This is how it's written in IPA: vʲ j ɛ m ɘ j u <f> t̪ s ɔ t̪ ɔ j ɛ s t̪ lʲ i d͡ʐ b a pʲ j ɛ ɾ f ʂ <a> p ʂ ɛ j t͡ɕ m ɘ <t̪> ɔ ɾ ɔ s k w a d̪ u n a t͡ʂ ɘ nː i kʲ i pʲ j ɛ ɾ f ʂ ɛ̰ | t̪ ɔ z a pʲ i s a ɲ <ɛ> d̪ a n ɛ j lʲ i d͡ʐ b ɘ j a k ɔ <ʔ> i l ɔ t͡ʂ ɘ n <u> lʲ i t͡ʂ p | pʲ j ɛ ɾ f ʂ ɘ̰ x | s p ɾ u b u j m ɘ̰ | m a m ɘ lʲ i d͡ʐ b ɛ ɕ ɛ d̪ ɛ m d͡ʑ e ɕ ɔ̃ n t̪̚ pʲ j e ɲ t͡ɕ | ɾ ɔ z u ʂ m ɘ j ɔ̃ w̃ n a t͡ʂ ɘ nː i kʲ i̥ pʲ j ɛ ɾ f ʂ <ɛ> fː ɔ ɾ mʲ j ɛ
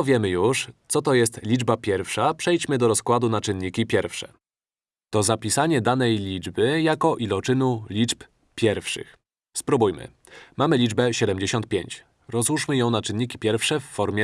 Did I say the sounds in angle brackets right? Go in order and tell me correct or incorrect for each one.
incorrect: ʂ, correct, incorrect: d̪, correct, correct, correct, correct

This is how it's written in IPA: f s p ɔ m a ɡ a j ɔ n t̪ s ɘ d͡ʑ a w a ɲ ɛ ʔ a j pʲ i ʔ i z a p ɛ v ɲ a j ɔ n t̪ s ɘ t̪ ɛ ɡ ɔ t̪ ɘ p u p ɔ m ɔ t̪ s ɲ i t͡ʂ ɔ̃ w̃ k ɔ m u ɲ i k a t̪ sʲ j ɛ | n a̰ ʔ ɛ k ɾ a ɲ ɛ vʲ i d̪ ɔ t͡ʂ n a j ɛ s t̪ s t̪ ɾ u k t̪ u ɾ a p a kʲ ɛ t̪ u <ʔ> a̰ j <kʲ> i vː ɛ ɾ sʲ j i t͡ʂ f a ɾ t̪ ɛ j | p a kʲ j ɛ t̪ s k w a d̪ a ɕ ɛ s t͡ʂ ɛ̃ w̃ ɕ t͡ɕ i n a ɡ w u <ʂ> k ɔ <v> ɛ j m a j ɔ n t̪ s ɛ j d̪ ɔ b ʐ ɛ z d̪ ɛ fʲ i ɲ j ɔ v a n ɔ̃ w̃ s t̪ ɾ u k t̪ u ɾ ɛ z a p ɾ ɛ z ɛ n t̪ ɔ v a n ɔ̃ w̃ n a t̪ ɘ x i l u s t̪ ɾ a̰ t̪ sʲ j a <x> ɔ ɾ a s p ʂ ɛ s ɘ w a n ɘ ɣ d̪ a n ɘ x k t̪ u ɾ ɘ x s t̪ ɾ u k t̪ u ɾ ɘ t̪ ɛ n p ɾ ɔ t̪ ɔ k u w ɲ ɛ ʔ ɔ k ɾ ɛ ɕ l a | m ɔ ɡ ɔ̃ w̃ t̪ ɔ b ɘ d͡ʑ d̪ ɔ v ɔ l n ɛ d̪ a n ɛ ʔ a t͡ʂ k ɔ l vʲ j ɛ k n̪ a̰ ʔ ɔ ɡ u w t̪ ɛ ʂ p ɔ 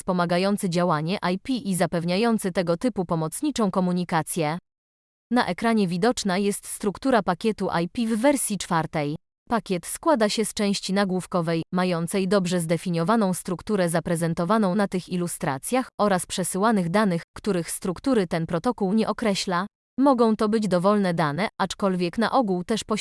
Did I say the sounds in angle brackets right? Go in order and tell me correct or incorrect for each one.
correct, incorrect: pʲ, incorrect: f, correct, correct

